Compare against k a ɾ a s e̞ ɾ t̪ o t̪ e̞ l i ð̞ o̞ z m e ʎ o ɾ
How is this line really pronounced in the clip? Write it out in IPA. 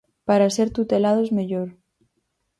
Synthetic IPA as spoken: p a ɾ a s e̞ ɾ t̪ u t̪ e̞ l a ð̞ o̞ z m e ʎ o ɾ